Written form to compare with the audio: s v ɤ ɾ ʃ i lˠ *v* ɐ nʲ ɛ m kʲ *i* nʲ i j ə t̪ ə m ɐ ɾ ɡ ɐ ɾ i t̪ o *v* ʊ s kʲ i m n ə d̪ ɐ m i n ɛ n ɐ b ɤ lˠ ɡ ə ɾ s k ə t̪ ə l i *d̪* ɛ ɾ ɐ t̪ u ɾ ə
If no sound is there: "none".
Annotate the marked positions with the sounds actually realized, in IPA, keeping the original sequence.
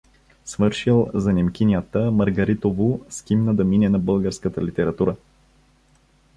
z, i, v, t̪

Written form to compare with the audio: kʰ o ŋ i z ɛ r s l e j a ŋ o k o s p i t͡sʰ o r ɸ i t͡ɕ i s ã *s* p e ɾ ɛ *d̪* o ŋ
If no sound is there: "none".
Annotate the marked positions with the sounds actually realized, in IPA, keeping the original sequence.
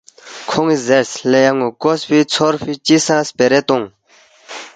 s, t̪

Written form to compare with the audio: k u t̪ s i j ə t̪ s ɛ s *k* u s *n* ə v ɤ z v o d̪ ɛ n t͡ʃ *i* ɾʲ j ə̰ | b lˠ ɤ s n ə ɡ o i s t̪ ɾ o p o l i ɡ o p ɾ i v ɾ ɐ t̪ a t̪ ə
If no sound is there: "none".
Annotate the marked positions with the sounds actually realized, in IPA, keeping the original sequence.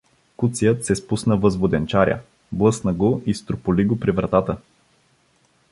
p, n, a

